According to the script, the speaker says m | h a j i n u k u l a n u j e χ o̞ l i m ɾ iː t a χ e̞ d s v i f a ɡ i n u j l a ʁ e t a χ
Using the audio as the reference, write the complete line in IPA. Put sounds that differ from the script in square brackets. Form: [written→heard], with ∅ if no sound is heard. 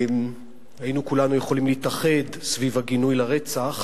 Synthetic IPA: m | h a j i n u k u l a n u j e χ o̞ l i m [ɾ→l] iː t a χ e̞ d s v i [f→v] a ɡ i n u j l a ʁ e [t→t͡s] a χ

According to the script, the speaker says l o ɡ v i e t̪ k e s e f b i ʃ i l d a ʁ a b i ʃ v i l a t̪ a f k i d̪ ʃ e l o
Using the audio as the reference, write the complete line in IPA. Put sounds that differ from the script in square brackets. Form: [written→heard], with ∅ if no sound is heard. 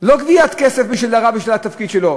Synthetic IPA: l o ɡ v i [e→a] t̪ k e s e f b i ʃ i l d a ʁ a b i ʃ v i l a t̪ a f k i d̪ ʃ e l o

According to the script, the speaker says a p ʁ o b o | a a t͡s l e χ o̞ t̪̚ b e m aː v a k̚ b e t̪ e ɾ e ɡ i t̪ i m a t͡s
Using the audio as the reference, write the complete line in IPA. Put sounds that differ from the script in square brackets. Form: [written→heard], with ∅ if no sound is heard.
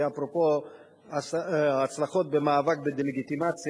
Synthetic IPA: a p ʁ o [b→p] o | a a t͡s l [e→a] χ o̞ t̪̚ b e m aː v a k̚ b e [t̪→d̪] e [ɾ→l] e ɡ i t̪ i m a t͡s

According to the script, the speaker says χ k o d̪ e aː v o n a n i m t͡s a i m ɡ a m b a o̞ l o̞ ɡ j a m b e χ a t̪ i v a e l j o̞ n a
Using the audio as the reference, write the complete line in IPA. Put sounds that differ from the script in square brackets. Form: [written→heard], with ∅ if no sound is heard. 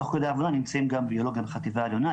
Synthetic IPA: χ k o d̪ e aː v o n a n i m t͡s a i m ɡ a m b [a→i] o̞ l o̞ ɡ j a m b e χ a t̪ i v a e l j o̞ n a

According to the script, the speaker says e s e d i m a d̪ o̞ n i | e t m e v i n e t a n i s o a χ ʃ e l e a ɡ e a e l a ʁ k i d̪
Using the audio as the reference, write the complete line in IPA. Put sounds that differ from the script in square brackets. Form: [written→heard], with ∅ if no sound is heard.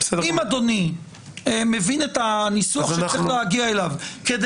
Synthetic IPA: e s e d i m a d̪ o̞ n i | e [t→∅] m e v i n e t a n i s [o→u] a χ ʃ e l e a ɡ [e→i] a e l a [ʁ→v] k [i→e] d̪

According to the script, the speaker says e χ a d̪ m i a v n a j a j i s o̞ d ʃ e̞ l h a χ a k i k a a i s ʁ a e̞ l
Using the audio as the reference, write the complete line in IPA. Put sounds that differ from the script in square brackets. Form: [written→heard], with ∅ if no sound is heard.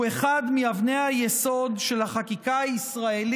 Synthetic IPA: e χ a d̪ m i a v n [a→e] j a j [i→e] s o̞ d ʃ e̞ l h a χ a k i k a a i s ʁ a e̞ l

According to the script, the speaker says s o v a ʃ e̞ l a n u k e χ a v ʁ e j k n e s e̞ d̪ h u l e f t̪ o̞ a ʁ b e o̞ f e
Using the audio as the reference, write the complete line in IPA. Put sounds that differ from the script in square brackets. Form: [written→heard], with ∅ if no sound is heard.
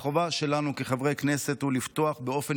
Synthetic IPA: [s→χ] o v a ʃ e̞ l a n u k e χ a v ʁ e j k n e s e̞ [d̪→t̪] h u l [e→i] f t̪ o̞ a [ʁ→χ] b e o̞ f e

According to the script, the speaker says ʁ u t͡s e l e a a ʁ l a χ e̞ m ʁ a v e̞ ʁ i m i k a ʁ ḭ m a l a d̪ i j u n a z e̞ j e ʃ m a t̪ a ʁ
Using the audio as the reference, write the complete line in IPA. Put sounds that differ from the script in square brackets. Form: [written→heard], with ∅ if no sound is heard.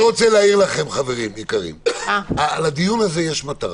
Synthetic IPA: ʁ [u→o] t͡s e l e a [a→i] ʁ l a χ e̞ m [ʁ→χ] a v e̞ ʁ i m i k a ʁ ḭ m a l a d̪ i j u n a z e̞ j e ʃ m a t̪ a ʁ

